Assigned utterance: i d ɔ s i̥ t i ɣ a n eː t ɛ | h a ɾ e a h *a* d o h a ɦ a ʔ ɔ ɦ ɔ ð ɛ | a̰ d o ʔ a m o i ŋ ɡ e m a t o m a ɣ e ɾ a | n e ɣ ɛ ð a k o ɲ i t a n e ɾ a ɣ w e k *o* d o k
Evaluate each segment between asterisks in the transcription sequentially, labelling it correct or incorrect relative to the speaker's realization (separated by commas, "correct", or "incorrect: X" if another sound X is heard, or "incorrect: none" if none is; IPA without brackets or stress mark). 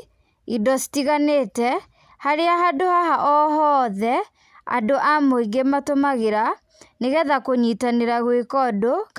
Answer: correct, incorrect: ɔ